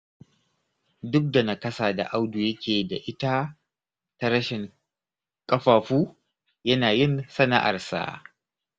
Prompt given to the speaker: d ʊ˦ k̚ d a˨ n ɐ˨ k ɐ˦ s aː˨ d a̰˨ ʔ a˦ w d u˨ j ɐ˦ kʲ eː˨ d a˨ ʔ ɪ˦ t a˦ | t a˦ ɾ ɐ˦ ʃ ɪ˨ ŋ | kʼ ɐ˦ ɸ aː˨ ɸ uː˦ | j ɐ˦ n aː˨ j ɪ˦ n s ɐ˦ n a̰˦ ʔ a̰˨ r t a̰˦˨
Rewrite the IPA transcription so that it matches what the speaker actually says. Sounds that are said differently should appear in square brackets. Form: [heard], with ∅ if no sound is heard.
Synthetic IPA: d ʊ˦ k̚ d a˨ n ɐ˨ k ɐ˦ s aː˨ d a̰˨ ʔ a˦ w d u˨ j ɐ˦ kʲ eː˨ d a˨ ʔ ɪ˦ t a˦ | t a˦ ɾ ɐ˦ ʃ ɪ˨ ŋ | kʼ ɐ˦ ɸ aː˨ ɸ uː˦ | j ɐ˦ n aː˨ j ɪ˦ n s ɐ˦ n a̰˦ ʔ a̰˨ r [s] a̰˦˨